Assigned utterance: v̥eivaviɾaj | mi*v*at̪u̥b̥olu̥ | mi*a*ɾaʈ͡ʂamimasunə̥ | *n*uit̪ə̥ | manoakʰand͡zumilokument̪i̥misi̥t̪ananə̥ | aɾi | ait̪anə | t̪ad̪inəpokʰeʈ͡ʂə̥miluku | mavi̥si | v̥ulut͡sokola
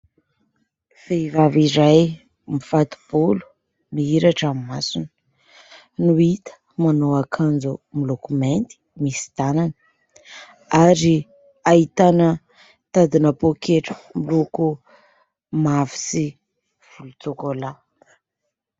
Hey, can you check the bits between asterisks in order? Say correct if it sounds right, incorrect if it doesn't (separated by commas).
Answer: incorrect, incorrect, correct